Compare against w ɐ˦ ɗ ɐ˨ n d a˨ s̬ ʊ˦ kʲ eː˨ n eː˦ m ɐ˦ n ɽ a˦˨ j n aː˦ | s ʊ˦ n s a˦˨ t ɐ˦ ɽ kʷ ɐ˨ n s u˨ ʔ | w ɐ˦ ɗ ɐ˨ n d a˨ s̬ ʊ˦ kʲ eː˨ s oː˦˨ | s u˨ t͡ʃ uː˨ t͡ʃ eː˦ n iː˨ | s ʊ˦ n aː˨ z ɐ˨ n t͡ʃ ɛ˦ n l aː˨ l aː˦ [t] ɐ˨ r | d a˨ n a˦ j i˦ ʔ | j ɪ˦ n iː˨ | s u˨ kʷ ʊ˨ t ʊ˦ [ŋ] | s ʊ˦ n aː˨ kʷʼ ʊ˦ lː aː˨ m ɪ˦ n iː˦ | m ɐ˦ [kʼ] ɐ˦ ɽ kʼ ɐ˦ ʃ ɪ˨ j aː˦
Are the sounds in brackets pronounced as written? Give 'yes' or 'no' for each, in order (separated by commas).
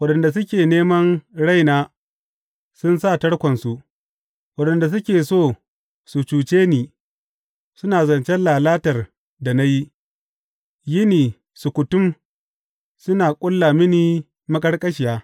yes, no, yes